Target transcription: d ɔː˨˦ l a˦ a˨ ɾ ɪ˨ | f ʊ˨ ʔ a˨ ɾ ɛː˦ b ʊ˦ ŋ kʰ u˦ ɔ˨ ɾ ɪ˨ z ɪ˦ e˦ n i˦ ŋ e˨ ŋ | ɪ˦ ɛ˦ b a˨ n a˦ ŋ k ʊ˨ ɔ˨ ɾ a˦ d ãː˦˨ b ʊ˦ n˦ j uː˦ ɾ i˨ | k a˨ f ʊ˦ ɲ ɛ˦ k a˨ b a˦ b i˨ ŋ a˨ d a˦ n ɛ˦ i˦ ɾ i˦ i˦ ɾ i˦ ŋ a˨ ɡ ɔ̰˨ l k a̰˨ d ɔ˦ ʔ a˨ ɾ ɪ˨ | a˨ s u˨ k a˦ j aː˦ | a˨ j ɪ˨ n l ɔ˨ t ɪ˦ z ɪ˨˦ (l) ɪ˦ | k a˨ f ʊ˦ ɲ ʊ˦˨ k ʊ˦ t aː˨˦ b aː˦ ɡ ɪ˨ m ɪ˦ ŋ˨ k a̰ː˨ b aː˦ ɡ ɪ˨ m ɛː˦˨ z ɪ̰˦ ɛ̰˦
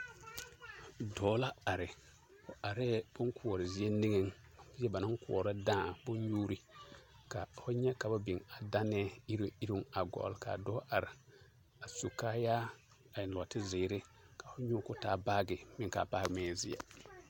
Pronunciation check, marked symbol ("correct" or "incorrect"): incorrect